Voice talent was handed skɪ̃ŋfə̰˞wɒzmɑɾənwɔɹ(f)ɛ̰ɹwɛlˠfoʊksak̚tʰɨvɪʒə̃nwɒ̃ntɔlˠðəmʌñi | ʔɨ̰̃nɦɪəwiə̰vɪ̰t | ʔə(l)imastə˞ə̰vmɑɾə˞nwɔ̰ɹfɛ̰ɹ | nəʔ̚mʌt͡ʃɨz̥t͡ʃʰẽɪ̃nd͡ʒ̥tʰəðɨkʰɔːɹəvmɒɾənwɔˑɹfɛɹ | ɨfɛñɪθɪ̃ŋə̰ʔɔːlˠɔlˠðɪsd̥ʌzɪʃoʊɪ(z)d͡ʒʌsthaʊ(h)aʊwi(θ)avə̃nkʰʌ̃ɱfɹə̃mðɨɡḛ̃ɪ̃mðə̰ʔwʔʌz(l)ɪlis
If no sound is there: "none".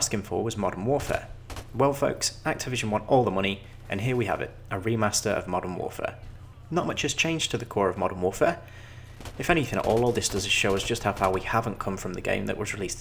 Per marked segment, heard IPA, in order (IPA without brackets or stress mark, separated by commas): f, ɹ, z, f, h, ɹ